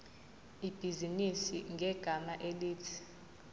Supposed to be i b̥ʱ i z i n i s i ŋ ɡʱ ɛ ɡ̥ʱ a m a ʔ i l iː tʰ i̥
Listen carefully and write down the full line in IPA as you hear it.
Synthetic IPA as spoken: i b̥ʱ i z i n i s i ŋ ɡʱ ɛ ɡ̥ʱ a m a ʔ e l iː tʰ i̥